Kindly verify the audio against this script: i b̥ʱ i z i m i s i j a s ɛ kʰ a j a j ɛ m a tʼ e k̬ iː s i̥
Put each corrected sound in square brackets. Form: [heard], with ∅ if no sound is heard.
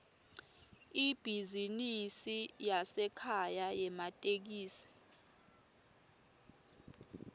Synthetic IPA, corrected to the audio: i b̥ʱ i z i [n] i s i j a s ɛ kʰ a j a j ɛ m a tʼ e k̬ iː s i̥